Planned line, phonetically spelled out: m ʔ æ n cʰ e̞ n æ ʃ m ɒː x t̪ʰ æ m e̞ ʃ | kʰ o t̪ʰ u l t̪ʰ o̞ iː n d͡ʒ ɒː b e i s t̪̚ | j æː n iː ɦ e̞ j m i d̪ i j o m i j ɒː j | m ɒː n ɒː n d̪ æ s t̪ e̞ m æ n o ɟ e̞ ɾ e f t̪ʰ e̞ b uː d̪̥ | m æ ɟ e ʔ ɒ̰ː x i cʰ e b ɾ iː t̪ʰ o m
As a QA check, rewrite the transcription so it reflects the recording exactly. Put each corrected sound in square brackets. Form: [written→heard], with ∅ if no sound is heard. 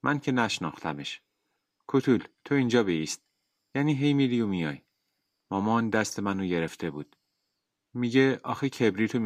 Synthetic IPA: m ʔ æ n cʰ e̞ n æ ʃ [m→n] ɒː x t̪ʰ æ m e̞ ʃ | kʰ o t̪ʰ u l t̪ʰ o̞ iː n d͡ʒ ɒː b e i s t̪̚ | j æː n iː ɦ e̞ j m i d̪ i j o m i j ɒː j | m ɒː [n→m] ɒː n d̪ æ s t̪ e̞ m æ n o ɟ e̞ ɾ e f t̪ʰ e̞ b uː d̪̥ | m [æ→i] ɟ e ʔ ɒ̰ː x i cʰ e b ɾ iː t̪ʰ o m